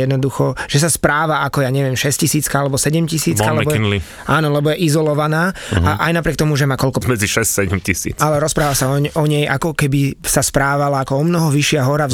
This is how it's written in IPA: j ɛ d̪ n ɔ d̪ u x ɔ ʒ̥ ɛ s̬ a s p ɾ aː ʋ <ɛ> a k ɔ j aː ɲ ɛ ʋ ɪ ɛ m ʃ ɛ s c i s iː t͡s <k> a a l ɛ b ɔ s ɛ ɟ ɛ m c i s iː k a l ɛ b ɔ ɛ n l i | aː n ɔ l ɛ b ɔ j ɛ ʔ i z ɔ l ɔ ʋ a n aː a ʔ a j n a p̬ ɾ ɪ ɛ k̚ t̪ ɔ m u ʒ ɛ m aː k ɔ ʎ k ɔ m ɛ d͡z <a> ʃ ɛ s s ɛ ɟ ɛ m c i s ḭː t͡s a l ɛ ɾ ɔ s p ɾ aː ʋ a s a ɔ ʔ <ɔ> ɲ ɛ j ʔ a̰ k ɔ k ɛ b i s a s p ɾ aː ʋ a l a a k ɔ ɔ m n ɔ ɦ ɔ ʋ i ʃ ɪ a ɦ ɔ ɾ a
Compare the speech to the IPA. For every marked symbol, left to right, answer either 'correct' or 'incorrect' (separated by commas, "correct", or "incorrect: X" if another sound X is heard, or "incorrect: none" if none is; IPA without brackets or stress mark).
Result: incorrect: a, correct, incorrect: i, correct